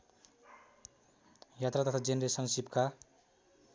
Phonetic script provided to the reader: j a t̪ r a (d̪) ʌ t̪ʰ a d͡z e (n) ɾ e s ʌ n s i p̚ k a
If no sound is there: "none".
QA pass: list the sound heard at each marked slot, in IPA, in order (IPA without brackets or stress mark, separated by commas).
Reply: t̪, n